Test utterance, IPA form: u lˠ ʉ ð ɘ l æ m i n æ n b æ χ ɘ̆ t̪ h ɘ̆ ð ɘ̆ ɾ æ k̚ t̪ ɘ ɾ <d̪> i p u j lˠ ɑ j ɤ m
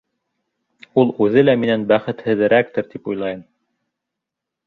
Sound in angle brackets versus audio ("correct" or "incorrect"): incorrect